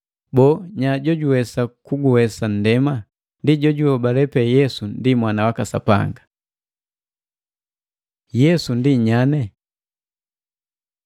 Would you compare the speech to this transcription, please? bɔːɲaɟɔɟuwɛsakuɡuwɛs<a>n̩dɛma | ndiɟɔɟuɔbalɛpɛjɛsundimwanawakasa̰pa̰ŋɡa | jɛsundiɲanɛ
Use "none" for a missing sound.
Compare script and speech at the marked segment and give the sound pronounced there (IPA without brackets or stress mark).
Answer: a